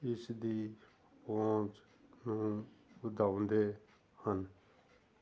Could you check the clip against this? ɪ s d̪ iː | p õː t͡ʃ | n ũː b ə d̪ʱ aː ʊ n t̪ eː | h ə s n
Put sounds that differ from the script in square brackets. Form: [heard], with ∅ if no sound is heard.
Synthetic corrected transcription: ɪ s d̪ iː | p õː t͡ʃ | n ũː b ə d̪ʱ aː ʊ n [d̪] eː | h ə [∅] n